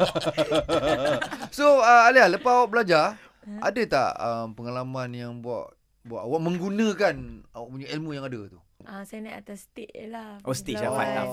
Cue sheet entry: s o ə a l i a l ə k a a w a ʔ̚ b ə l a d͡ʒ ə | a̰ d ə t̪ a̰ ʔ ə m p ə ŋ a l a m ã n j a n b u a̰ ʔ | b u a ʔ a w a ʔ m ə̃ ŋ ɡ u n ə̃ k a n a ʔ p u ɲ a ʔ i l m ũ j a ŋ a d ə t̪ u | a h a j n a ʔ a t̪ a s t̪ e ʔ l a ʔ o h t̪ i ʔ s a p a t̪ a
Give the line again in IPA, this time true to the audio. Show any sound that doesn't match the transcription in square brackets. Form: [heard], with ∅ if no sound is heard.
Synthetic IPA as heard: s o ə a l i a l ə [p] a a w a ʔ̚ b ə l a d͡ʒ [a] | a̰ d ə t̪ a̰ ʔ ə m p ə ŋ a l a m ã n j a [ŋ] b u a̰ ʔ | b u a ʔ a w a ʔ m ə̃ ŋ ɡ u n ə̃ k a n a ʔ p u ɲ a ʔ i l m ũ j a ŋ a d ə t̪ u | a [s] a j n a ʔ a t̪ a s t̪ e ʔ l a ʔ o [s] t̪ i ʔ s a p a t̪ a